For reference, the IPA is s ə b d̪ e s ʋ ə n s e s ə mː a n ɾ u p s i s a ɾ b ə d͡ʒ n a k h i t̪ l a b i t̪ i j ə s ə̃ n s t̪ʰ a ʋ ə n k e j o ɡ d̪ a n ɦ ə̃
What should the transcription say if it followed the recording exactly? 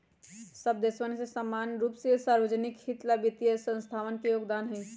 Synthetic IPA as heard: s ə b d̪ e s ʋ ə n s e s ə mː a n ɾ u p s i s a ɾ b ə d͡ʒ n i k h i t̪ l a b i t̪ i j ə s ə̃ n s t̪ʰ a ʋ ə n k e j o ɡ d̪ a n ɦ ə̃